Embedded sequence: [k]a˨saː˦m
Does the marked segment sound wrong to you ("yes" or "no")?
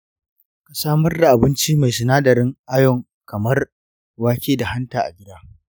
no